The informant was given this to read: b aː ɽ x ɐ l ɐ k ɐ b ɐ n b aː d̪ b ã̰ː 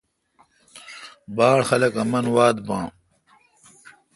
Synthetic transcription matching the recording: b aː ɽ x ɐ l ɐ k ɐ m ɐ n w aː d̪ b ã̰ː